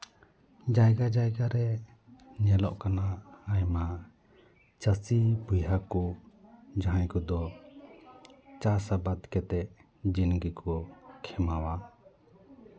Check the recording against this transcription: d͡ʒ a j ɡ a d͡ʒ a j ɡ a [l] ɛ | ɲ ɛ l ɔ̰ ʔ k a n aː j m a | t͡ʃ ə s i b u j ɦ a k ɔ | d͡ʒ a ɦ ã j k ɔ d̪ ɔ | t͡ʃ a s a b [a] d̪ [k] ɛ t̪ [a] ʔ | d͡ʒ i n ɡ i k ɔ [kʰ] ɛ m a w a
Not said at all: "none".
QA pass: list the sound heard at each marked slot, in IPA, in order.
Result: ɾ, a, k, ɛ, kʰ

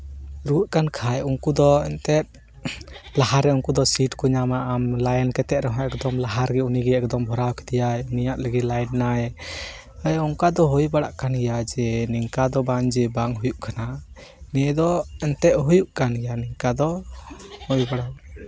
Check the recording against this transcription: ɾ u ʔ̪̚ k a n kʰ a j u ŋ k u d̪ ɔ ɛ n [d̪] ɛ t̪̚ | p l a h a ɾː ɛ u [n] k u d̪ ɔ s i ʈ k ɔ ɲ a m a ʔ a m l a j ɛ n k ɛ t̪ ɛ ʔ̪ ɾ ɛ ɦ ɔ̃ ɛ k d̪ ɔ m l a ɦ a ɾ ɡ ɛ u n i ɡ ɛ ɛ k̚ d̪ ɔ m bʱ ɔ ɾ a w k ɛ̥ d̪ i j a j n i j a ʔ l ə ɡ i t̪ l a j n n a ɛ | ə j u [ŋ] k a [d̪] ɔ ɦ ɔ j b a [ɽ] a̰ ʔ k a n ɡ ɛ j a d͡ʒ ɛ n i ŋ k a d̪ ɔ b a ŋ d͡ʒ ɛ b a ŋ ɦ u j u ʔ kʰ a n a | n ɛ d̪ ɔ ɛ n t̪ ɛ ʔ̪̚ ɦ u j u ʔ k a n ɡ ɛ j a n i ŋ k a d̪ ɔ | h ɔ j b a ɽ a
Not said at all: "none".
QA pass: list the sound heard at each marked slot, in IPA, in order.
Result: t̪, ŋ, ŋ, d̪, ɽ

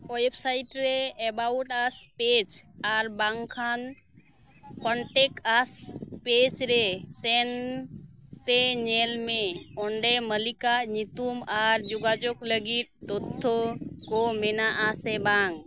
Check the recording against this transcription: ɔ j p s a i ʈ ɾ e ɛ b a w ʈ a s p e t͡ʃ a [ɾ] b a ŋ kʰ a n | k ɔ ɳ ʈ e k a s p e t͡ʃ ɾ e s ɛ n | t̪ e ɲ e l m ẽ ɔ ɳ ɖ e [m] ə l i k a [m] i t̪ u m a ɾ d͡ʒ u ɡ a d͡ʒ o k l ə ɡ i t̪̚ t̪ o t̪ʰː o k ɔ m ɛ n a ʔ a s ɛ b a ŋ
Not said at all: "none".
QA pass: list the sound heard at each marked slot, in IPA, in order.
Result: ɾ, m, ɲ

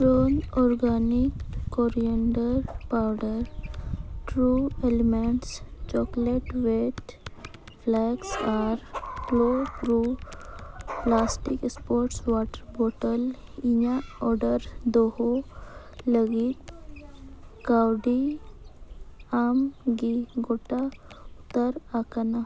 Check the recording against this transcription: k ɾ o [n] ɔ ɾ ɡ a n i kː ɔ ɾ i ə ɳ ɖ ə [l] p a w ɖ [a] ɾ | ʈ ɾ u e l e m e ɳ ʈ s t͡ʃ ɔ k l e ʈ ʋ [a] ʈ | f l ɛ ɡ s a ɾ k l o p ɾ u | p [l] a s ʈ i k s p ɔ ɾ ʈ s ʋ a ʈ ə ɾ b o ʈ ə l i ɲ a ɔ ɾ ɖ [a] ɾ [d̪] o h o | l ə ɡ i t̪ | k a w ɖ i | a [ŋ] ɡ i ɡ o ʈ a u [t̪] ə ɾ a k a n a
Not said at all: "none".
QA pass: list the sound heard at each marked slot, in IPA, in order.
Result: n, ɾ, ə, e, l, ə, d̪, m, t̪

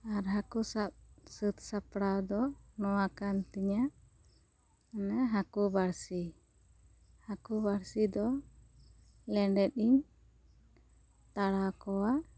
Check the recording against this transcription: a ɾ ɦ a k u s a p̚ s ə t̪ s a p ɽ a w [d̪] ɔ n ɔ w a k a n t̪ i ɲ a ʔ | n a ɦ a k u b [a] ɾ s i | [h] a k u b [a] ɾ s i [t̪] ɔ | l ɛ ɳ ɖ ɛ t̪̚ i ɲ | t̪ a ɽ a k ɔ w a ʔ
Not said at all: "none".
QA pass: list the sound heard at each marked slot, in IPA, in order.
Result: d̪, a, h, a, d̪

